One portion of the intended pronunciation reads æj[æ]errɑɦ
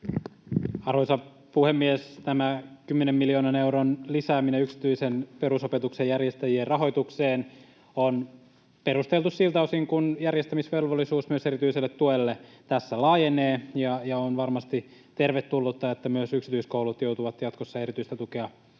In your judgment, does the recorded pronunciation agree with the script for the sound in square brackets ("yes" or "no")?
no